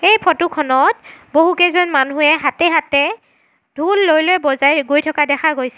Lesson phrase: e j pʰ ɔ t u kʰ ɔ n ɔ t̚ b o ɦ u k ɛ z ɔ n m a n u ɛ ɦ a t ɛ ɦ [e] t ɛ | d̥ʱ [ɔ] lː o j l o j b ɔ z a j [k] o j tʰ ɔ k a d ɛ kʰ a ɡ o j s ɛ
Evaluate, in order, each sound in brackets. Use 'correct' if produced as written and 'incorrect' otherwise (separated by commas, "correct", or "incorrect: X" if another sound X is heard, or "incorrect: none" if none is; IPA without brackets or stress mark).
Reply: incorrect: a, incorrect: u, incorrect: ɡ